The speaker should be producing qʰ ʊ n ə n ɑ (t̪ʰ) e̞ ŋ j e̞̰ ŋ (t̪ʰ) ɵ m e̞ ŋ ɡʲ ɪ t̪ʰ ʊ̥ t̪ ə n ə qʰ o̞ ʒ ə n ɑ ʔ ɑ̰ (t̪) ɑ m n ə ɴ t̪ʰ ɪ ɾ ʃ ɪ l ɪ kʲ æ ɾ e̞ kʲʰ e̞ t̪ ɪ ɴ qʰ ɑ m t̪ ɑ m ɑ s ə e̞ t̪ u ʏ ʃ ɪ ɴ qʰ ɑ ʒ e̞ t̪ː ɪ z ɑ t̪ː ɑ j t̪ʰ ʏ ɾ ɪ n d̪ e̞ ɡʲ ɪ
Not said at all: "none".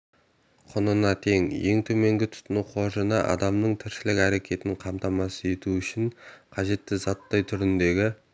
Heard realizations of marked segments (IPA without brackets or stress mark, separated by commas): t̪ʰ, t̪ʰ, d̪